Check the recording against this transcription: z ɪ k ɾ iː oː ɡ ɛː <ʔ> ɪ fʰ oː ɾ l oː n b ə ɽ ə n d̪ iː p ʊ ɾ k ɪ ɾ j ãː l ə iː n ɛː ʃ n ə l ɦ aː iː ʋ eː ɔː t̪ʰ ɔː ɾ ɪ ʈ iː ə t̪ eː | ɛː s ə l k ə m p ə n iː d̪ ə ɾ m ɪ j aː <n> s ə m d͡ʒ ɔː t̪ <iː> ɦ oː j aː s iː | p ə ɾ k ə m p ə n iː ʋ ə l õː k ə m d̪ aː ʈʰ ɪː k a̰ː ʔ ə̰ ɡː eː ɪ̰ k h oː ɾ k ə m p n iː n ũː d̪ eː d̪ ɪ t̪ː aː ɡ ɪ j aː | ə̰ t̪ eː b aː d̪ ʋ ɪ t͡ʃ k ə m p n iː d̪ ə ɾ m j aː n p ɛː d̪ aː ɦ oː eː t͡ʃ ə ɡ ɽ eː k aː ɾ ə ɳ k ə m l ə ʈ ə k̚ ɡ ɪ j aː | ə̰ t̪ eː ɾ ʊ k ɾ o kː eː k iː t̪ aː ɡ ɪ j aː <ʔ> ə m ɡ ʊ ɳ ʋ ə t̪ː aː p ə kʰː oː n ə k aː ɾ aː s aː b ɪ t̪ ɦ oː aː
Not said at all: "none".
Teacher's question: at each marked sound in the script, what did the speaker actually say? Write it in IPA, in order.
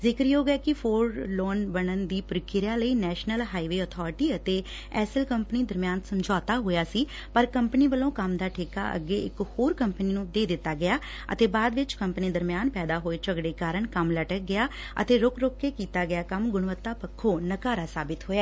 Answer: k, n, aː, k

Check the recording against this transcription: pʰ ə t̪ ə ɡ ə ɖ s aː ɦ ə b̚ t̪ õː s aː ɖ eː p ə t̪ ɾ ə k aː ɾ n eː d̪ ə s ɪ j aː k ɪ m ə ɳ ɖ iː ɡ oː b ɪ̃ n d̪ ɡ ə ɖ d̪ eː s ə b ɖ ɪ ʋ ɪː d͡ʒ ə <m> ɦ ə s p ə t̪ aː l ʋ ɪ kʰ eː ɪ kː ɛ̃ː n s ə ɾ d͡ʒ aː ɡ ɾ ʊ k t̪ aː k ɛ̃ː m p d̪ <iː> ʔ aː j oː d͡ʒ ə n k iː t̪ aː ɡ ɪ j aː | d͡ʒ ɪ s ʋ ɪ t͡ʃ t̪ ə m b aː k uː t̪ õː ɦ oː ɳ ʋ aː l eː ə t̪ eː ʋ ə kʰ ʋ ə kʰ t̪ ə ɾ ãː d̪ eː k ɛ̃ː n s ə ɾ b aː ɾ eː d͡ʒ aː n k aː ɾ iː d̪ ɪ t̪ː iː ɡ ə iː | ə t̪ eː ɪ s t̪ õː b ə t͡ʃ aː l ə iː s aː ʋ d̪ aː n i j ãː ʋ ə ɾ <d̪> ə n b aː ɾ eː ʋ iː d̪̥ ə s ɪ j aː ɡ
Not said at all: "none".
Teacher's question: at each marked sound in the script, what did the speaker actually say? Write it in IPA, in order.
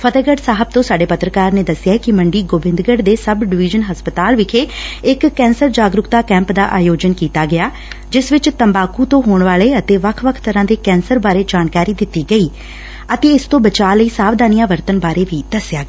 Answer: n, aː, t̪

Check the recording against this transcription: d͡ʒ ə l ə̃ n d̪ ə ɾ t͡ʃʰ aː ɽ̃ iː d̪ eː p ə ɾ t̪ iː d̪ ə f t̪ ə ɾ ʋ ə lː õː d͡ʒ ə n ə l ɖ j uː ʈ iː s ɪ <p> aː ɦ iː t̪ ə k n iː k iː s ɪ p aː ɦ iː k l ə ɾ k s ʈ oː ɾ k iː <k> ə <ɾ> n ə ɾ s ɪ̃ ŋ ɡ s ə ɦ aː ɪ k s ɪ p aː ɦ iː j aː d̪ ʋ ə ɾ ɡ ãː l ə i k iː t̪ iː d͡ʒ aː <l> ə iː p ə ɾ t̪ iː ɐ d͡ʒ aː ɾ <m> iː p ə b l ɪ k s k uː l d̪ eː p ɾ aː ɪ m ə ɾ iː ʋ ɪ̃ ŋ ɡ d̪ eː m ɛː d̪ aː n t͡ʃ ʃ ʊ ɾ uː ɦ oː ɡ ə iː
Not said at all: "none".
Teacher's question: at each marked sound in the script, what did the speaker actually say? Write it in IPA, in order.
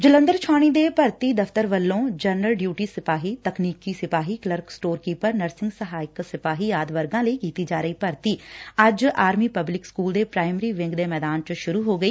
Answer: p, p, ɾ, ɾ, m

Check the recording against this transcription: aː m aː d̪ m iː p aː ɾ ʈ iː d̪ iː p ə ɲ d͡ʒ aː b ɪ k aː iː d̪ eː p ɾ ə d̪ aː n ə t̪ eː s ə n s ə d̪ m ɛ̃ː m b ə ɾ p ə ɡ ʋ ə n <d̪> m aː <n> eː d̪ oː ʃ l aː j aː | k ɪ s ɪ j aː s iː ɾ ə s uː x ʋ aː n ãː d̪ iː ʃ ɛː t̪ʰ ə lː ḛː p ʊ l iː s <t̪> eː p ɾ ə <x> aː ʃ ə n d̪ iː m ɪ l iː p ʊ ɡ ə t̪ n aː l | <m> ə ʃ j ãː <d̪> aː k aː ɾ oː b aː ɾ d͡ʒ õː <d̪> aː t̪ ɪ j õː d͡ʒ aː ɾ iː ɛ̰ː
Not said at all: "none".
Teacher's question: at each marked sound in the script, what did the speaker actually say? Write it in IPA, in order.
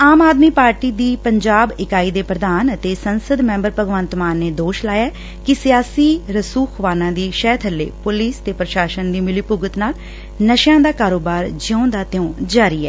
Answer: t̪, nː, t̪, ʃ, n, d̪, d̪

